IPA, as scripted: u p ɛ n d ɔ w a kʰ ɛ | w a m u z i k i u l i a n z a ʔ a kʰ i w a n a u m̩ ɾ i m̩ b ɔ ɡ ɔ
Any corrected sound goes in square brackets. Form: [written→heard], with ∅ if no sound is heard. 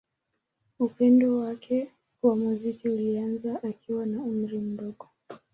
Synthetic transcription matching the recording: u p ɛ n d ɔ w a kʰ ɛ | w a m u z i k i u l i a n z a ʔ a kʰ i w a n a u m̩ ɾ i m̩ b ɔ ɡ ɔ